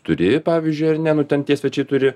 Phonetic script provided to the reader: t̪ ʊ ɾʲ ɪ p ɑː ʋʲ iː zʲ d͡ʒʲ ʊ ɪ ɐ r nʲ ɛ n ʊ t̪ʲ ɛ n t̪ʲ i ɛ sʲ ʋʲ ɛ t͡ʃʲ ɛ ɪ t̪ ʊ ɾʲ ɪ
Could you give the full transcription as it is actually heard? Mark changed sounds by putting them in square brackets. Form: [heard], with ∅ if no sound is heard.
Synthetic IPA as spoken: t̪ ʊ ɾʲ ɪ p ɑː ʋʲ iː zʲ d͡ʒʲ ʊ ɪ ɐ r nʲ ɛ n ʊ t̪ʲ ɛ n t̪ʲ i ɛ sʲ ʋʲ ɛ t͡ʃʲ ɛ ɪ t̪ ʊ ɾʲ ɪ